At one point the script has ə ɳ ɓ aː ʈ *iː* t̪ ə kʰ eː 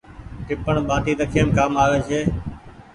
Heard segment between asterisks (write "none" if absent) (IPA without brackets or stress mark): iː